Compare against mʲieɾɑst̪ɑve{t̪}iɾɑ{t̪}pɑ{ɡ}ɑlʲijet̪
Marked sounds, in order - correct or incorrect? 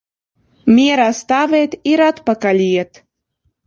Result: correct, correct, incorrect: k

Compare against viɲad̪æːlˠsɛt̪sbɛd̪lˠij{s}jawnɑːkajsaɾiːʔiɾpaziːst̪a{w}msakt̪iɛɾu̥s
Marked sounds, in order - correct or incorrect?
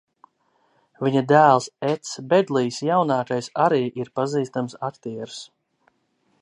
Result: correct, incorrect: none

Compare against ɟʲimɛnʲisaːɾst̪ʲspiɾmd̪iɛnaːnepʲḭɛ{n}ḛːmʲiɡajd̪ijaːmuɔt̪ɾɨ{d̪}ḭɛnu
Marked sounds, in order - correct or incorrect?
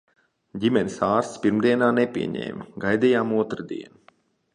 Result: incorrect: ɲ, correct

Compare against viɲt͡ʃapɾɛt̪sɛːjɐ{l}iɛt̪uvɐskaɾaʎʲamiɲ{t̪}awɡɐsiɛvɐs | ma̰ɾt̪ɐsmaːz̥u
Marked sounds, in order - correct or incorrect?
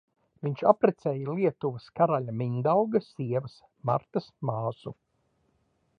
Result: correct, incorrect: d̪

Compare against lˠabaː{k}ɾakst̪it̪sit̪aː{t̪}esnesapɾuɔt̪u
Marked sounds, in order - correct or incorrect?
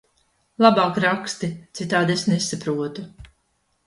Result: correct, incorrect: d̪

